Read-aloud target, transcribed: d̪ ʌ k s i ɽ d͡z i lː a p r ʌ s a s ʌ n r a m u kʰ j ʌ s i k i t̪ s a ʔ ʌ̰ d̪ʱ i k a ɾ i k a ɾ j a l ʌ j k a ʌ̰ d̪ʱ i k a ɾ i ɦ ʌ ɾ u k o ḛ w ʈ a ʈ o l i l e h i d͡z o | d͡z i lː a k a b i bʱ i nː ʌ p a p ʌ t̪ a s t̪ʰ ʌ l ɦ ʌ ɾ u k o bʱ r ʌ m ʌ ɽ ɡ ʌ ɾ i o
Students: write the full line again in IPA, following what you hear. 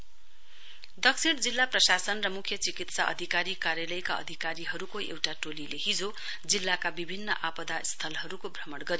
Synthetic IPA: d̪ ʌ k s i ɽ d͡z i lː a p r ʌ s a s ʌ n r ʌ m u kʰ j ʌ t͡s i k i t̪ s a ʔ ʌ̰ d̪ʱ i k a ɾ i k a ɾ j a l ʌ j k a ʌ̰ d̪ʱ i k a ɾ i ɦ ʌ ɾ u k o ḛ w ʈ a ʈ o l i l e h i d͡z o | d͡z i lː a k a b i bʱ i nː ʌ ʔ a p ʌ d̪ a s t̪ʰ ʌ l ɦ ʌ ɾ u k o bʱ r ʌ m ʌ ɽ ɡ ʌ ɾ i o

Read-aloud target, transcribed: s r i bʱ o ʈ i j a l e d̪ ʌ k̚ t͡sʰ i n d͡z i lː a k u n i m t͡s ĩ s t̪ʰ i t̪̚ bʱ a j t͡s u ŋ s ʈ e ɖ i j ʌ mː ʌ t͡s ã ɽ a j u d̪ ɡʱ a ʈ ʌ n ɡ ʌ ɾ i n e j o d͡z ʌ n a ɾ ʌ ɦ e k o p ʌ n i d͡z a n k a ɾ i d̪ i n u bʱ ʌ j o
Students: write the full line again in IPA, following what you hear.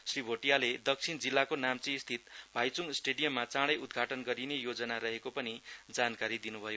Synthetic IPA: s r i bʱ o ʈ i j a l e d̪ ʌ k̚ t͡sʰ i n d͡z i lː a k o n a m t͡s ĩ s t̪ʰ i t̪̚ bʱ a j t͡s u ŋ s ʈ e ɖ i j ʌ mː a t͡s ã ɽ ʌ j u d̪ ɡʱ a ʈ ʌ n ɡ ʌ ɾ i n e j o d͡z ʌ n a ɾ ʌ ɦ e k o p ʌ n i d͡z a n k a ɾ i d̪ i n u bʱ ʌ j o

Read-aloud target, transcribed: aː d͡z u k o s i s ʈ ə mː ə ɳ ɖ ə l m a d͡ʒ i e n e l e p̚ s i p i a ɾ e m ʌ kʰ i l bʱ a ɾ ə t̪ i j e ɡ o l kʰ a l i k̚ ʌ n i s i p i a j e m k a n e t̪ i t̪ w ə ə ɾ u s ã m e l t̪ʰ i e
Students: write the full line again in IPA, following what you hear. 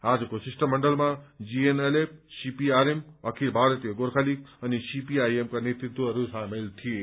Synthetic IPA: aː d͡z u k o s i s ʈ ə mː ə ɳ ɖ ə l m a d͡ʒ i e n e l e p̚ s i p i a ɾ e m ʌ kʰ i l bʱ a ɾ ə t̪ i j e ɡ o ɾ kʰ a l i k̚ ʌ n i s i p i a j e m k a n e t̪ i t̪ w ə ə ɾ u s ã m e l t̪ʰ i e

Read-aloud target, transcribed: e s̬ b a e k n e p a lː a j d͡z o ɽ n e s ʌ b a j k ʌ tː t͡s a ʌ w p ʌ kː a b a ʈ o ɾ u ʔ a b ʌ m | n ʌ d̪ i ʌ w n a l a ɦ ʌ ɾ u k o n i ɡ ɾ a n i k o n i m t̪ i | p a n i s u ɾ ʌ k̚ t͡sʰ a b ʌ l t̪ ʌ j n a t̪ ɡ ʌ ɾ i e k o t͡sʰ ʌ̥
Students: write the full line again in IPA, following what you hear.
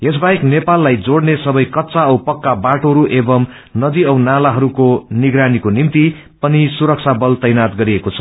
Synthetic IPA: e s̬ b a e k n e p a lː a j d͡z o ɽ n e s ʌ b ʌ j k ʌ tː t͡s a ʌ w p ʌ kː a b a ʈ o ɾ u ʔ e b ʌ m | n ʌ d̪ i ʌ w n a l a ɦ ʌ ɾ u k o n i ɡ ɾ a n i k o n i m t̪ i | p ʌ n i s u ɾ ʌ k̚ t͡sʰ a b ʌ l t̪ ʌ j n a t̪ ɡ ʌ ɾ i e k o t͡sʰ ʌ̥

